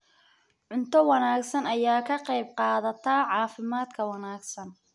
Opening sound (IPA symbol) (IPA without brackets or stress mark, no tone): ʕ